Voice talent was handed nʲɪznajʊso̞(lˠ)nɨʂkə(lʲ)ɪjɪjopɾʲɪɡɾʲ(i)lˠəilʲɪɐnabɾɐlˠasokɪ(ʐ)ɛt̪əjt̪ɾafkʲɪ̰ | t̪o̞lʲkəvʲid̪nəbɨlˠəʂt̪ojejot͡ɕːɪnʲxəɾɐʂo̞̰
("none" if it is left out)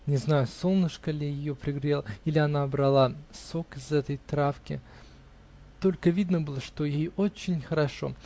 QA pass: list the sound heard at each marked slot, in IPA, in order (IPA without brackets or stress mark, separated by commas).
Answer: lˠ, lʲ, e, z